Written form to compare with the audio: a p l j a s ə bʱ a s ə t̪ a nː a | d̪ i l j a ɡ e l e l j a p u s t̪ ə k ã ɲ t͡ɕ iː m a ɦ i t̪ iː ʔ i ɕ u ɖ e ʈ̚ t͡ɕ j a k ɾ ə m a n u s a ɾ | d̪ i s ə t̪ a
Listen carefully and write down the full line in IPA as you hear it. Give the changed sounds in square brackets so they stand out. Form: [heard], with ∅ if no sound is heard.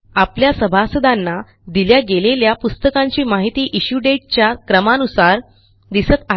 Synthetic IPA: a p l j a s ə bʱ a s ə [d̪] a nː a | d̪ i l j a ɡ e l e l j a p u s t̪ ə k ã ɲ t͡ɕ iː m a ɦ i t̪ iː ʔ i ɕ u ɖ e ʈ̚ t͡ɕ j a k ɾ ə m a n u s a ɾ | d̪ i s ə t̪ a